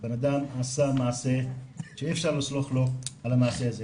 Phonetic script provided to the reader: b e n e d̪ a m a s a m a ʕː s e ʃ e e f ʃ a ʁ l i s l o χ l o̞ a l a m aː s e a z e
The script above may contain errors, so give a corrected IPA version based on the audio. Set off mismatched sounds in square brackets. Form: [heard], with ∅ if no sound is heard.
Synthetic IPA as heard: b e n [a] d̪ a m a s a m a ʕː s e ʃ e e f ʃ a ʁ l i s l o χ l o̞ a l a m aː s e a z e